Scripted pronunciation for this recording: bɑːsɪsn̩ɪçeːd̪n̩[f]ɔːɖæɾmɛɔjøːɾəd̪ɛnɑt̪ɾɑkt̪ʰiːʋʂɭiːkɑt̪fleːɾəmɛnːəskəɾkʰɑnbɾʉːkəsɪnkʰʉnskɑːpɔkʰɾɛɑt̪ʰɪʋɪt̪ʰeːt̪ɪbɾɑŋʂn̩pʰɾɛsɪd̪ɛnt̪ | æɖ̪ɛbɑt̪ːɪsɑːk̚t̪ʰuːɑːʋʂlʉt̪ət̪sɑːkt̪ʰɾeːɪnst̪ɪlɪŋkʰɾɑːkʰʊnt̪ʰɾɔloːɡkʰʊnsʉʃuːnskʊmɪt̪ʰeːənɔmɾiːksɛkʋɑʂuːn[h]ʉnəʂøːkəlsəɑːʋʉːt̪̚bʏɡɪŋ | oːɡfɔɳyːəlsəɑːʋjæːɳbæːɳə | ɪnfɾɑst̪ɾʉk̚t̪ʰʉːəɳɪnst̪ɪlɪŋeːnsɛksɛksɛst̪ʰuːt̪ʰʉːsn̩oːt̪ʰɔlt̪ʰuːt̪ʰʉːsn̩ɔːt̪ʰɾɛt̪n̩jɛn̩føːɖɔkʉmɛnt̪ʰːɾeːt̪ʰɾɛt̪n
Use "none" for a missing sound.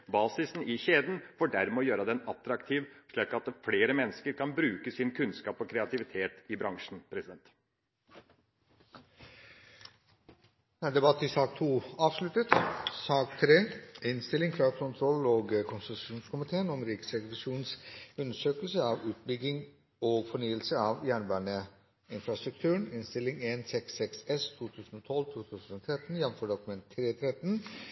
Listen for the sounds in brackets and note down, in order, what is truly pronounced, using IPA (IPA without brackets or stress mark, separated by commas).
f, s